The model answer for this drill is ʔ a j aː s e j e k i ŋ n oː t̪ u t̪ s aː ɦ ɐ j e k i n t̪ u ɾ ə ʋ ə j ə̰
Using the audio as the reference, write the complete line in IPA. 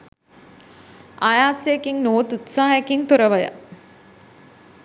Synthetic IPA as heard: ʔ a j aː s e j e k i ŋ n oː t̪ u t̪ s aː ɦ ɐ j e k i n t̪ u ɾ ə ʋ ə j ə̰